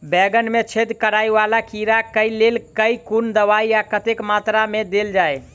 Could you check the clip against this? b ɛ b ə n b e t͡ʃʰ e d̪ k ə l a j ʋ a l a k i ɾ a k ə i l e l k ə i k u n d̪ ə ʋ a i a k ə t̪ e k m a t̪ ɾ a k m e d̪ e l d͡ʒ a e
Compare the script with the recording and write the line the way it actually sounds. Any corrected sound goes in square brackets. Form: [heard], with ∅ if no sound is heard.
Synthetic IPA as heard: b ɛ [ɡ] ə n [m] e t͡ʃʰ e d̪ k ə [ɾ] a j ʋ a l a k i ɾ a k ə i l e l k ə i k u n d̪ ə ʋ a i a k ə t̪ e k m a t̪ ɾ a [∅] m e d̪ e l d͡ʒ a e